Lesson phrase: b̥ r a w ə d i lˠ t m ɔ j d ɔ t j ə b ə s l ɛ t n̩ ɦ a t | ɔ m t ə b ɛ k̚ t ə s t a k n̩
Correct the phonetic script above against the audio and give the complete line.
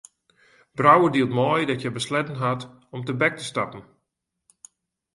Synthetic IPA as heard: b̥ r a w ə d i lˠ t m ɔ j d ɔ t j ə b ə s l ɛ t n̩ ɦ a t | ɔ m t ə b ɛ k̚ t ə s t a p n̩